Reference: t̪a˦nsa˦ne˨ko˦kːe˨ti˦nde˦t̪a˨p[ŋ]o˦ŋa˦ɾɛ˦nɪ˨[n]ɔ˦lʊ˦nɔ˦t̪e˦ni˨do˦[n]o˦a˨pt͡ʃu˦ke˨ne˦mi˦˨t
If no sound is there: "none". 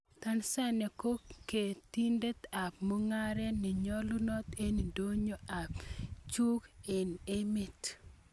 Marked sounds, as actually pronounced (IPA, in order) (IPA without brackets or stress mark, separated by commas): m, ɲ, ɲ